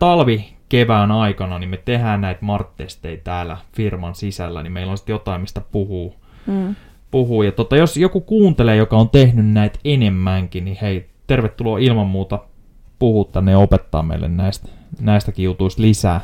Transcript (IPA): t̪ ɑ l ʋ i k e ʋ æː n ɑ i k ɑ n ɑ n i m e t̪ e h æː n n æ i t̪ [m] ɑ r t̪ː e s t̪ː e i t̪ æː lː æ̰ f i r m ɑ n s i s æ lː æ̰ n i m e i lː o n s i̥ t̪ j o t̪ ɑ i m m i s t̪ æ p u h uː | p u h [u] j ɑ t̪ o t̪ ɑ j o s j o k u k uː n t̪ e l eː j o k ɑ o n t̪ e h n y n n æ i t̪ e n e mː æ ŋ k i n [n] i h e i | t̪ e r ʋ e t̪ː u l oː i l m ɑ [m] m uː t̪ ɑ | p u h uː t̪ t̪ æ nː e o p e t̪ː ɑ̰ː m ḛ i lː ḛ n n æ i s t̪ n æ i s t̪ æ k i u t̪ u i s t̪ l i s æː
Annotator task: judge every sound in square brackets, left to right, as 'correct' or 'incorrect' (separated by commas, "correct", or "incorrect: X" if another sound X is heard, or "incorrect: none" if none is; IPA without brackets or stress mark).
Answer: correct, incorrect: uː, correct, correct